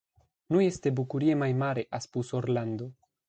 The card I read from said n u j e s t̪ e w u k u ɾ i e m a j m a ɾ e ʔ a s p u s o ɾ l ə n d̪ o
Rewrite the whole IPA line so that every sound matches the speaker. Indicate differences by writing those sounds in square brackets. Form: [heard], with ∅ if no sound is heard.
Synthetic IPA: n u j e s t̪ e [b] u k u ɾ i e m a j m a ɾ e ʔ a s p u s o ɾ l [a] n d̪ o